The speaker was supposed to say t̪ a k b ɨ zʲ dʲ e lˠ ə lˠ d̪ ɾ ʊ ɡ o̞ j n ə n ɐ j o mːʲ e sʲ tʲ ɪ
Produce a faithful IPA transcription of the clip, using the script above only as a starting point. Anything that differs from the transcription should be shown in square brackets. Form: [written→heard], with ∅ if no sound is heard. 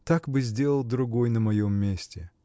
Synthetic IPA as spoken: t̪ a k b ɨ zʲ dʲ e lˠ ə lˠ d̪ ɾ ʊ ɡ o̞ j n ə [n→m] ɐ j o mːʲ e sʲ tʲ ɪ